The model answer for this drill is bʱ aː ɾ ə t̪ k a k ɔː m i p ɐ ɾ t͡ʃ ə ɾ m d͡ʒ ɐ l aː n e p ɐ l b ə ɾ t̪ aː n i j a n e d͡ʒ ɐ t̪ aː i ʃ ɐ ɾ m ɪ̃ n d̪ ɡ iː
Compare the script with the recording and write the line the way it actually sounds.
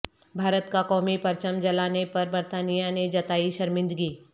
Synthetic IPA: bʱ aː ɾ ə t̪ k a k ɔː m i p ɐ ɾ t͡ʃ ə m d͡ʒ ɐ l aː n e p ɐ ɾ b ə ɾ t̪ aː n i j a n e d͡ʒ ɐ t̪ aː i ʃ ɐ ɾ m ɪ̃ n d̪ ɡ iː